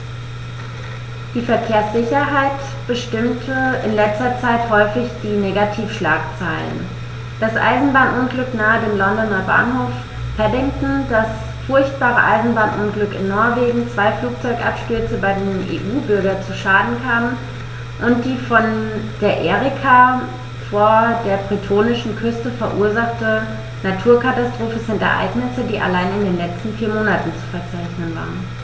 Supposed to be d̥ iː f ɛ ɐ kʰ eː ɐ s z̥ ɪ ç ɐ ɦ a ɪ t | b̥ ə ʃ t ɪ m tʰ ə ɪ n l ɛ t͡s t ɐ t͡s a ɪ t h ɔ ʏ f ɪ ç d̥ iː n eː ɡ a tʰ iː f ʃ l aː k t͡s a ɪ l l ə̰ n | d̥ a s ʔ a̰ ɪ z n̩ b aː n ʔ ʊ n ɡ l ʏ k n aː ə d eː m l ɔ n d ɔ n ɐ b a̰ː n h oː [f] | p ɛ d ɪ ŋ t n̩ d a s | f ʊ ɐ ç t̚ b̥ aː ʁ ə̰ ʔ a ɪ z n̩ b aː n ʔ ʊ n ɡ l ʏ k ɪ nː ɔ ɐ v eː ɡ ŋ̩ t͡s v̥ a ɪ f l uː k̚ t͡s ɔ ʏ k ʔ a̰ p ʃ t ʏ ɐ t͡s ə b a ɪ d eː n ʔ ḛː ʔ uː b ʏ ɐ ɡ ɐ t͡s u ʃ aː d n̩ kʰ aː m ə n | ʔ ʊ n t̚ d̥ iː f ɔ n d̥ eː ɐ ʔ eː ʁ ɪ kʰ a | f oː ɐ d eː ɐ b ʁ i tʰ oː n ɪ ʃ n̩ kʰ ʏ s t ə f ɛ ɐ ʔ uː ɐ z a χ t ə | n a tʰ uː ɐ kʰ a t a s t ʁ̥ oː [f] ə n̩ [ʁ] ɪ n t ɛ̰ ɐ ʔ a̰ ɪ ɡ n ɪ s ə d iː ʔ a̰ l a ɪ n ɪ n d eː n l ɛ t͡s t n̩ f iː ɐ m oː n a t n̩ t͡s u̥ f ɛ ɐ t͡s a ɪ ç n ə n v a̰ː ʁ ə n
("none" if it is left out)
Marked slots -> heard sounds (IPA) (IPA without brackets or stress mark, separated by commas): f, f, z